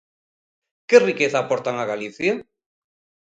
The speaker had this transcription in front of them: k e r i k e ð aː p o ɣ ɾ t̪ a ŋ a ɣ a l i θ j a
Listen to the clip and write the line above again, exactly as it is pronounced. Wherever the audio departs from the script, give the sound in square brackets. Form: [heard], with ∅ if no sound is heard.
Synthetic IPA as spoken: k e r i k e [θ] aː p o [∅] ɾ t̪ a ŋ a ɣ a l i θ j a